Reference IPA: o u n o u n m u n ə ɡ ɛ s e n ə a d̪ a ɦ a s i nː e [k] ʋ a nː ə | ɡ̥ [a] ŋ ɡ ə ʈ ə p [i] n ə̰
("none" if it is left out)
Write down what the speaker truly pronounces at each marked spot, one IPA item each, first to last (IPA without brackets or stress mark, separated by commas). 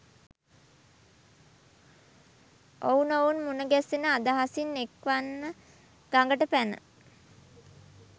k, a, æ